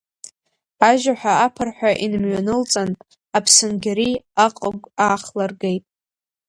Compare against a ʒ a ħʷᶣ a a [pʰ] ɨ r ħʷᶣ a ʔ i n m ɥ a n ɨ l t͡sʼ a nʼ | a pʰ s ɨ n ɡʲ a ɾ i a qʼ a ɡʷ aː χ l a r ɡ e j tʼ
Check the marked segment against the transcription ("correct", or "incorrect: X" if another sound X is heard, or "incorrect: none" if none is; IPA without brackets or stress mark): correct